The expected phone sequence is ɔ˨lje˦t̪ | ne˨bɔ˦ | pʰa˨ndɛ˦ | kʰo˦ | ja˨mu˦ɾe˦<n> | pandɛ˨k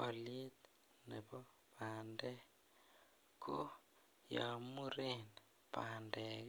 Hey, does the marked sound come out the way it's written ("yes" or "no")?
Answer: yes